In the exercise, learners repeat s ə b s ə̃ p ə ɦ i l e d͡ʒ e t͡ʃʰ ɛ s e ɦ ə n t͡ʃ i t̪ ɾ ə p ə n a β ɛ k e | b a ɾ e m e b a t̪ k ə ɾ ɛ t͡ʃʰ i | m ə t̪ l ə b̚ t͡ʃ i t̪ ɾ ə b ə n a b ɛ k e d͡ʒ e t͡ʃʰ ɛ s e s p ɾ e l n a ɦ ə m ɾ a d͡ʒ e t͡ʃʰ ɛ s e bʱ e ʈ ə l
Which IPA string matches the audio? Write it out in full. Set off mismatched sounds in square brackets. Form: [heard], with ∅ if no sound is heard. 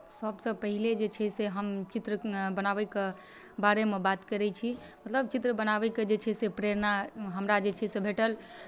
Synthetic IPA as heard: s ə b s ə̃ p ə ɦ i l e d͡ʒ e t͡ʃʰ ɛ s e ɦ ə [m] t͡ʃ i t̪ ɾ ə [b] ə n a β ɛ k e | b a ɾ e m e b a t̪ k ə ɾ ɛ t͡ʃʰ i | m ə t̪ l ə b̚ t͡ʃ i t̪ ɾ ə b ə n a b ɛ k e d͡ʒ e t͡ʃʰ ɛ s e [∅] p ɾ e [ɾ] n a ɦ ə m ɾ a d͡ʒ e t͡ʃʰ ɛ s e bʱ e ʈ ə l